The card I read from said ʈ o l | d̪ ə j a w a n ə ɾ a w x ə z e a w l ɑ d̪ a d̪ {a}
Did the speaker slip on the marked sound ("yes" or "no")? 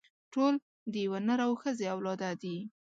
yes